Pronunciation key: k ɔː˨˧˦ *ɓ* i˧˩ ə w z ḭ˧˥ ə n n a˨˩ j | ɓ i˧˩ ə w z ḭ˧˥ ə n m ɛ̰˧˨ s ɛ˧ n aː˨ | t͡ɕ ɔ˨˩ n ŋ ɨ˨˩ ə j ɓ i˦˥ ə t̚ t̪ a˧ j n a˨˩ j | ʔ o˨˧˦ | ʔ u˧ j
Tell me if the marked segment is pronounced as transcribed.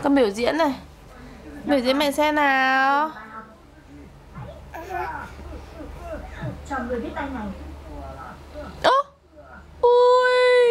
yes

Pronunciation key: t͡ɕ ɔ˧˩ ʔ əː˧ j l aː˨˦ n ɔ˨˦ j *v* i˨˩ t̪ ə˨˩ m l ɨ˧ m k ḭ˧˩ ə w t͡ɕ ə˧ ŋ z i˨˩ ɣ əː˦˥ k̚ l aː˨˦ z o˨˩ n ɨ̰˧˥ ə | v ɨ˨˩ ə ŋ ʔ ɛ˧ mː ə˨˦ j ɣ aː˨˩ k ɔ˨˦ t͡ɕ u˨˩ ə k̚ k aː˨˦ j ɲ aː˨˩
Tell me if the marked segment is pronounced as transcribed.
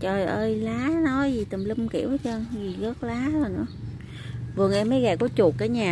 no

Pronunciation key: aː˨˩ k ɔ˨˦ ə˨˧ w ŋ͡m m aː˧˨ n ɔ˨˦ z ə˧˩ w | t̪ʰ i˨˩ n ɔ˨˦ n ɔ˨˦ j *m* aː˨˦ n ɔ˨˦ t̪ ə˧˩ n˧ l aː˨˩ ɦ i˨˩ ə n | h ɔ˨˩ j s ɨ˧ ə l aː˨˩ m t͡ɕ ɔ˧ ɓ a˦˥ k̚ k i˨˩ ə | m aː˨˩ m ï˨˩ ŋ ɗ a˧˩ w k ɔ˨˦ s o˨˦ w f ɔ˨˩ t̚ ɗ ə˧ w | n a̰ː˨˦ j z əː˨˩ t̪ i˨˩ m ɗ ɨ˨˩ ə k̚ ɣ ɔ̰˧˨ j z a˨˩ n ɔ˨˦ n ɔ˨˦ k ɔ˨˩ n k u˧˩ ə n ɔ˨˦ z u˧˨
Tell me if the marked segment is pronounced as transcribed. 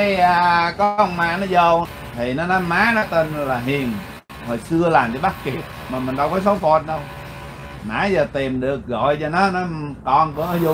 yes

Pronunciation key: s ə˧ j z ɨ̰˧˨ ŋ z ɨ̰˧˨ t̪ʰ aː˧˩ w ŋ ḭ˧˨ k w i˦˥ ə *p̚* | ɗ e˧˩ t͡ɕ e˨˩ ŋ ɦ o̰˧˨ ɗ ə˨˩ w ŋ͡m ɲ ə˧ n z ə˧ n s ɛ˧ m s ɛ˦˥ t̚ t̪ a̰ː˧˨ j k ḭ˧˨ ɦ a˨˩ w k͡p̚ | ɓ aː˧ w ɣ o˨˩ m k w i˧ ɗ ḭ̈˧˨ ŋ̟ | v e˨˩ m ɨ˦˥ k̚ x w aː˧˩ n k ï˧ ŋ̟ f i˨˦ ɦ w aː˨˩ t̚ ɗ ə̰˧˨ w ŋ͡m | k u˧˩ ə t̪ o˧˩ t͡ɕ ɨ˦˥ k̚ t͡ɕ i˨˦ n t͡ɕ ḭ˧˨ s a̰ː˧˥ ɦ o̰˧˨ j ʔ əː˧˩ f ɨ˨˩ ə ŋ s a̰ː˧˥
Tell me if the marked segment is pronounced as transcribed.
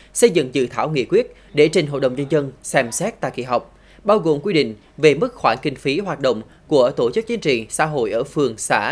no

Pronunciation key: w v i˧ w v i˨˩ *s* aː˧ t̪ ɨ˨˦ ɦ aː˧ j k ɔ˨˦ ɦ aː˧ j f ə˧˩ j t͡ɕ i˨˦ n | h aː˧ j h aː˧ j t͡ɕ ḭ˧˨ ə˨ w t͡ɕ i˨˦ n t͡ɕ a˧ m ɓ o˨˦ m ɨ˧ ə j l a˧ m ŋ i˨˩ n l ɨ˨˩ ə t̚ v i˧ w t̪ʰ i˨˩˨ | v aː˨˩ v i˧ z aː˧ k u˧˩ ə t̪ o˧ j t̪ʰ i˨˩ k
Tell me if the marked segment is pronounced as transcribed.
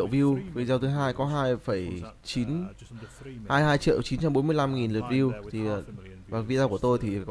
no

